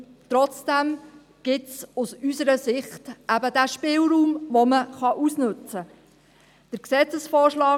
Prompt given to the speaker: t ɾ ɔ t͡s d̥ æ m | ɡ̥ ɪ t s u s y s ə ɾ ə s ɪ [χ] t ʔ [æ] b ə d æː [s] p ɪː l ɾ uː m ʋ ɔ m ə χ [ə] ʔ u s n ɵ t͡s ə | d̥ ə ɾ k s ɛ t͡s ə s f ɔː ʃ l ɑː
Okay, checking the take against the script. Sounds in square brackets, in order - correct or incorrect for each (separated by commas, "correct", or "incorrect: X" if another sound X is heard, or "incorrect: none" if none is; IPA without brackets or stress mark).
correct, correct, incorrect: ʃ, incorrect: ɑ